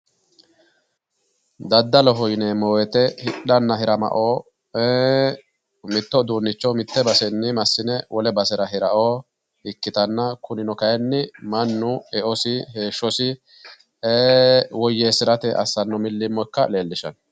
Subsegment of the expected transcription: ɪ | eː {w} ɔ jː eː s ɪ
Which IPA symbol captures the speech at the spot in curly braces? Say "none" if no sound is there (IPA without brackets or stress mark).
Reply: w